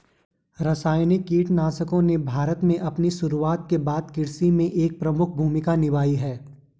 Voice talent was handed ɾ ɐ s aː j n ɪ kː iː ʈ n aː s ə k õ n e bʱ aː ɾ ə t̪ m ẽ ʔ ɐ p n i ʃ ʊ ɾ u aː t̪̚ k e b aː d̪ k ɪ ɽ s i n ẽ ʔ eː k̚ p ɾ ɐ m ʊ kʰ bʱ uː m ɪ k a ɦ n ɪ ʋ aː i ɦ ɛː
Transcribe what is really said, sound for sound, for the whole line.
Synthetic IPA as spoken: ɾ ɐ s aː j n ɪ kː iː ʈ n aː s ə k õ n e bʱ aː ɾ ə t̪ m ẽ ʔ ɐ p n i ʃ ʊ ɾ u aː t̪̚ k e b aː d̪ k ɪ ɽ s i m ẽ ʔ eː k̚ p ɾ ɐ m ʊ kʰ bʱ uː m ɪ k a n ɪ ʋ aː i ɦ ɛː